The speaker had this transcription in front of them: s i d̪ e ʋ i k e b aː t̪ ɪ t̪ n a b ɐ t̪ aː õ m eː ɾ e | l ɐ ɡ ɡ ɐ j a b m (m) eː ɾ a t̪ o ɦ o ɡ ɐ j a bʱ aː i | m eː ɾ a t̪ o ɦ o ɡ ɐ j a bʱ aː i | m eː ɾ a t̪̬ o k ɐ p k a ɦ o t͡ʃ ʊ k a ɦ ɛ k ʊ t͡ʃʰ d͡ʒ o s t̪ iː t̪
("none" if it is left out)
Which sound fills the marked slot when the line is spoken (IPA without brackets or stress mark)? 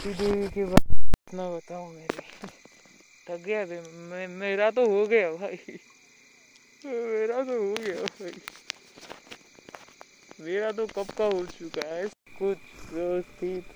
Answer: m